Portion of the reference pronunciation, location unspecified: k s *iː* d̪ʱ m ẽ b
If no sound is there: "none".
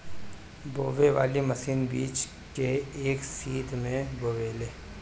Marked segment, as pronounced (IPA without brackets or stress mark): iː